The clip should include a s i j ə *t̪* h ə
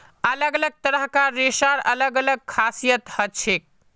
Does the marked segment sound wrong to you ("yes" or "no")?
no